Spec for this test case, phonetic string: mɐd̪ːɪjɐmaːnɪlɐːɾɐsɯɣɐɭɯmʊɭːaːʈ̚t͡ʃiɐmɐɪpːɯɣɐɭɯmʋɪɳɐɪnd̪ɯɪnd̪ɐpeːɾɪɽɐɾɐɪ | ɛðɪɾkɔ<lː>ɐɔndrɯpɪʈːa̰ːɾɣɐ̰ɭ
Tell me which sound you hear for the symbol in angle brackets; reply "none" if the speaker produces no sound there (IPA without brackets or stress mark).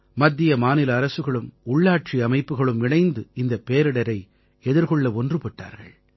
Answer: ɭː